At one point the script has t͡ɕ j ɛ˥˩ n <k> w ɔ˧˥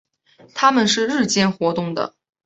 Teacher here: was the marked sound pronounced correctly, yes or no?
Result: no